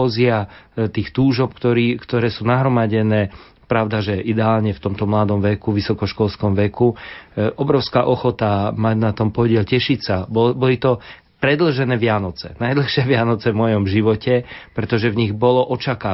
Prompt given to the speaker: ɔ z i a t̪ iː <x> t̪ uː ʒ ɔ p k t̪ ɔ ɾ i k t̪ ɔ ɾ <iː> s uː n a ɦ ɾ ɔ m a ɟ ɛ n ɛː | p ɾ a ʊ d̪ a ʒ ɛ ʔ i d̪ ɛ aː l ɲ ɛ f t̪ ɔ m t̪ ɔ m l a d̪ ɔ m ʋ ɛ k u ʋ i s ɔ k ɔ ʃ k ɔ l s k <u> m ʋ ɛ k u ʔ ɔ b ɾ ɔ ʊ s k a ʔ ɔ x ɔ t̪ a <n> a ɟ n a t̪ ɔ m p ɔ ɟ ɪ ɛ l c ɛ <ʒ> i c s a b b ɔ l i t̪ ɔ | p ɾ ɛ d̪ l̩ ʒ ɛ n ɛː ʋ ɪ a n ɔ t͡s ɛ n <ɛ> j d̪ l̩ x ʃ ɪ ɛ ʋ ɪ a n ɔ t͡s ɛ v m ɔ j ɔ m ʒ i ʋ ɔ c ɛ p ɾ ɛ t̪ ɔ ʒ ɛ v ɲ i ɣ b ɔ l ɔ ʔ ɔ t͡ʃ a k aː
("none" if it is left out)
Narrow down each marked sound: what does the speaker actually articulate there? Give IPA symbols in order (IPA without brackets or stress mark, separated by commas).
x, ɛː, ɔ, m, ʃ, a